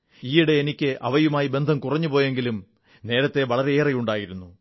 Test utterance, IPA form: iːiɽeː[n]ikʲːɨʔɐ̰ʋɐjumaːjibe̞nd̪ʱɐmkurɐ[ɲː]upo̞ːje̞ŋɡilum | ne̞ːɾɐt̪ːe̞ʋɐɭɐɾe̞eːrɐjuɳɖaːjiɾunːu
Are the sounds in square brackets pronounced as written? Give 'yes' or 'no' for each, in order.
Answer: yes, yes

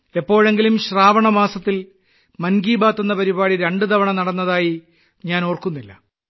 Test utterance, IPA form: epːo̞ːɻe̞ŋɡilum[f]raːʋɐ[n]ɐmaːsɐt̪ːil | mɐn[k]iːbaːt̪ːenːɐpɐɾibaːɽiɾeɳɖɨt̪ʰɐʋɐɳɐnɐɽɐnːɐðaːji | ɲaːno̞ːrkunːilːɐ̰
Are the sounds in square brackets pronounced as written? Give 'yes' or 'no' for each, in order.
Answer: no, no, no

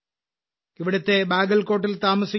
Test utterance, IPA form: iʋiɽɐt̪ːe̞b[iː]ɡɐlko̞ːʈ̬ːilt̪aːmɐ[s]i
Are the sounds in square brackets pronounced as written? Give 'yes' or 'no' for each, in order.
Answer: no, yes

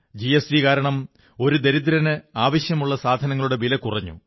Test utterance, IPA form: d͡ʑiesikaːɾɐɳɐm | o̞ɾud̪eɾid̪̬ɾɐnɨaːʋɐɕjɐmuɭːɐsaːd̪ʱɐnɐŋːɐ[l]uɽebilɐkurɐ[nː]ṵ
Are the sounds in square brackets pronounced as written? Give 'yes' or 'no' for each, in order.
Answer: no, no

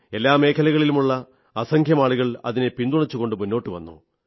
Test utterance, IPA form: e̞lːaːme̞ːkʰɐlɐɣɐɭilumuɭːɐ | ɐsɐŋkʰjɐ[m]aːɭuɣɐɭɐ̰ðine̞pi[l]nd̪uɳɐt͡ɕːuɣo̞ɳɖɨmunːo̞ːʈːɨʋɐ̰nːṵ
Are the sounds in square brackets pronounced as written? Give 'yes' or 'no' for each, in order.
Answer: yes, no

